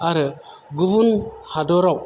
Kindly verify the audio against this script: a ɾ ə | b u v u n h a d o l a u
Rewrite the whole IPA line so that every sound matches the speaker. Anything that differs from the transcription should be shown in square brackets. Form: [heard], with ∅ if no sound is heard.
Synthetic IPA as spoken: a ɾ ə | [ɡ] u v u n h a d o [ɾ] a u